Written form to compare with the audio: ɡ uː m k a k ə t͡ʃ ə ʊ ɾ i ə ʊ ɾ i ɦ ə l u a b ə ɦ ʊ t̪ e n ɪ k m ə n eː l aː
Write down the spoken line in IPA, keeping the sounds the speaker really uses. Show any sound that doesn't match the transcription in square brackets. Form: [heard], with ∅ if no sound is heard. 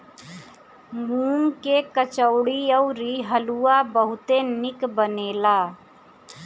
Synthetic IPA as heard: ɡ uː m k [e] k ə t͡ʃ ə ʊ [ɽ] i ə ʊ ɾ i ɦ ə l u a b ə ɦ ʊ t̪ e n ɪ k [b] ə n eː l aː